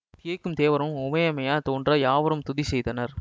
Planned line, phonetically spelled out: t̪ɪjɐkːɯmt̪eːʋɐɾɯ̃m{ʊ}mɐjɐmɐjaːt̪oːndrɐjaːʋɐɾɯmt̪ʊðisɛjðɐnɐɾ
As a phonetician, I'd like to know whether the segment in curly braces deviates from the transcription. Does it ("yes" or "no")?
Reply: no